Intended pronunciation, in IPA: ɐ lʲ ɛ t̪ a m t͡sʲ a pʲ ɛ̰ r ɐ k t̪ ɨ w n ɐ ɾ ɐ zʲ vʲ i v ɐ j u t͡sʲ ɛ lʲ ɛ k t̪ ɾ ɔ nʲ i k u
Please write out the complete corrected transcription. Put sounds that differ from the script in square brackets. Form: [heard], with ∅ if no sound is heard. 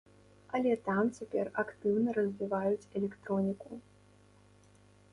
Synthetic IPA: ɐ lʲ ɛ t̪ a m t͡sʲ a pʲ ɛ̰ r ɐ k t̪ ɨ w n ɐ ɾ ɐ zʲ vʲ i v [a] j u t͡sʲ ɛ lʲ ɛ k t̪ ɾ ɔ nʲ i k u